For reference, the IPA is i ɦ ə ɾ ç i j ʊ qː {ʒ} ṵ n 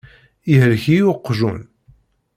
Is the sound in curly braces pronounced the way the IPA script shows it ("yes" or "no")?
yes